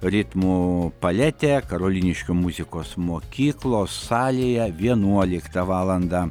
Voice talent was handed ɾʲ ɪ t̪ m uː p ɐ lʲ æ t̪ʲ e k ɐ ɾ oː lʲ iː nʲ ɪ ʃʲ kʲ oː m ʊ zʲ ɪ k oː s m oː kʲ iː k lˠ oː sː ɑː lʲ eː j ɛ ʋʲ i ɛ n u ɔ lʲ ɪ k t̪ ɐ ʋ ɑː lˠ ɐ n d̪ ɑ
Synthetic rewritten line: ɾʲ ɪ t̪ m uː p ɐ lʲ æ t̪ʲ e k ɐ ɾ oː lʲ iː nʲ ɪ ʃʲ kʲ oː m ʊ zʲ ɪ k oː s m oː kʲ iː k lˠ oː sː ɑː lʲ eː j ɛ ʋʲ i ɛ n u ɔ lʲ ɪ k t̪ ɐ ʋ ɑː lˠ ɐ n d̪ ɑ